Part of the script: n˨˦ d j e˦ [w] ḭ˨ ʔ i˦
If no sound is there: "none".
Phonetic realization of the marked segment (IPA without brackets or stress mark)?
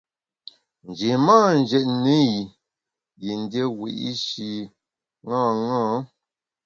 w